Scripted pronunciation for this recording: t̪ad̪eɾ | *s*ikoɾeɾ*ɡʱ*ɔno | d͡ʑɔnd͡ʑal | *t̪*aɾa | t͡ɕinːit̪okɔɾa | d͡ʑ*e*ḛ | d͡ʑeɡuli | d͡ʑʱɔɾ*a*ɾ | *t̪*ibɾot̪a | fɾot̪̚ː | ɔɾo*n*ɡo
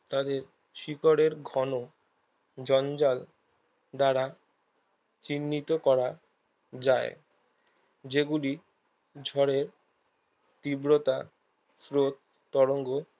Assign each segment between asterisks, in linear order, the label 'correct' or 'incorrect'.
incorrect, correct, incorrect, incorrect, incorrect, correct, incorrect

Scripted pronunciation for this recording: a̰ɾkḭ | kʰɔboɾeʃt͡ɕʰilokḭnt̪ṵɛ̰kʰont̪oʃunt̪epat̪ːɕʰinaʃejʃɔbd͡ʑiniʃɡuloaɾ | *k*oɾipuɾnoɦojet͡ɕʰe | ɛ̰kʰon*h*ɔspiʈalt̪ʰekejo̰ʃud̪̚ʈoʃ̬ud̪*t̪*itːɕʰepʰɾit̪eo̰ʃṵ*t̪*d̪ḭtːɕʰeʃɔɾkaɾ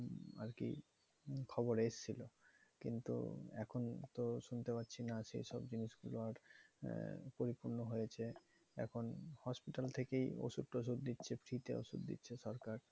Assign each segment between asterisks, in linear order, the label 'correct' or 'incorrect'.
incorrect, correct, incorrect, incorrect

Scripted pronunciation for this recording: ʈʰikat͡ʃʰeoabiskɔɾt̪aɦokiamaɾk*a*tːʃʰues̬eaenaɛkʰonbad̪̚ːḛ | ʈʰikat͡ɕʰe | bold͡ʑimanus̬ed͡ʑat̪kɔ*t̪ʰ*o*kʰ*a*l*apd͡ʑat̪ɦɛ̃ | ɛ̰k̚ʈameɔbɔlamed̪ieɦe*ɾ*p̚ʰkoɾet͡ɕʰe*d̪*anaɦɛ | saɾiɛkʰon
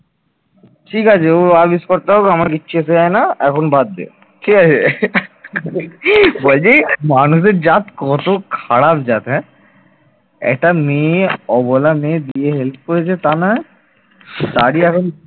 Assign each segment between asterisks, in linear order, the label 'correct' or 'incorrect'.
incorrect, incorrect, correct, incorrect, incorrect, incorrect

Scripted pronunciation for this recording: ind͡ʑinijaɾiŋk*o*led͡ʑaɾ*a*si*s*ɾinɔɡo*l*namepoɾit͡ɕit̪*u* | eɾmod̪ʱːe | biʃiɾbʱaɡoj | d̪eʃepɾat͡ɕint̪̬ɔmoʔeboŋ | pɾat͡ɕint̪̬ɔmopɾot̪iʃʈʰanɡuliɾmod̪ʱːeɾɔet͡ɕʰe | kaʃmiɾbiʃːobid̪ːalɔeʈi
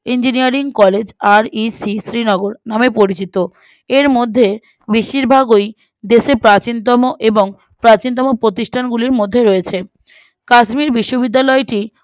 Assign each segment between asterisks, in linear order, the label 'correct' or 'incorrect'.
incorrect, incorrect, correct, incorrect, incorrect

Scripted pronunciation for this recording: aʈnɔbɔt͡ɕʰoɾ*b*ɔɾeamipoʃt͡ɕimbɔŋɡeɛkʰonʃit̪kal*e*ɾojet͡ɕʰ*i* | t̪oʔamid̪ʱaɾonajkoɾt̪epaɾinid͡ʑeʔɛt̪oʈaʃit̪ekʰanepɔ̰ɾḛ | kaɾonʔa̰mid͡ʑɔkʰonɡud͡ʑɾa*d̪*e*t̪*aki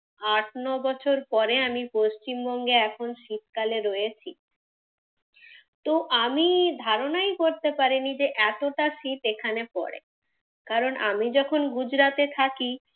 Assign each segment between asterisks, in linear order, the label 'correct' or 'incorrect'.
incorrect, correct, correct, incorrect, incorrect

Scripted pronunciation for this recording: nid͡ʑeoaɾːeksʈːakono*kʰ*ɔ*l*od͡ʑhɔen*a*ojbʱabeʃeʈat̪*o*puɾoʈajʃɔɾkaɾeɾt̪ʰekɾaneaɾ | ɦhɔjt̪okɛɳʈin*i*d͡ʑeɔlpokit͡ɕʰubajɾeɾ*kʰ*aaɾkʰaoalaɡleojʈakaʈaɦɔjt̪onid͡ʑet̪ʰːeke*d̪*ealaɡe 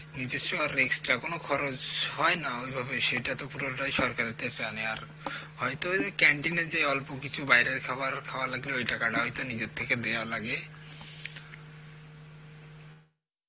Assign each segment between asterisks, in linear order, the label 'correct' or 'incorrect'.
correct, incorrect, correct, correct, incorrect, correct, correct

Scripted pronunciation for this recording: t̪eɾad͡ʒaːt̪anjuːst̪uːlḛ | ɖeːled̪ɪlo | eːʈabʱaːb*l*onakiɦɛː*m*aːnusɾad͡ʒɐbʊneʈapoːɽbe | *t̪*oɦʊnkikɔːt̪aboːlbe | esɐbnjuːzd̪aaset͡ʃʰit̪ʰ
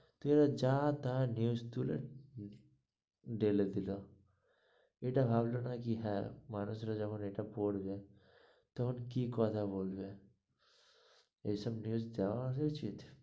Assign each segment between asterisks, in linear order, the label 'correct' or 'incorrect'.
correct, correct, correct

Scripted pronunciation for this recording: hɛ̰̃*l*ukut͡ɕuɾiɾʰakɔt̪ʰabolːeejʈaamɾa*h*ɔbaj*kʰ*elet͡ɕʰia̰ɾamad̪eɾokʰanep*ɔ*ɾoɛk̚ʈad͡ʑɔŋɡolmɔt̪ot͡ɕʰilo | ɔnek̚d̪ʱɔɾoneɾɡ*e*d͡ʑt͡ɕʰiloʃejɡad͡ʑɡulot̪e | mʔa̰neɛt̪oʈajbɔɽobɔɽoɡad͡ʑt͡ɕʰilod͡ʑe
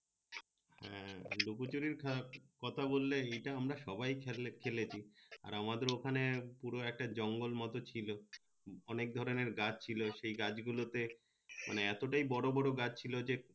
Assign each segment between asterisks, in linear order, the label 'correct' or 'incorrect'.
correct, incorrect, correct, incorrect, incorrect

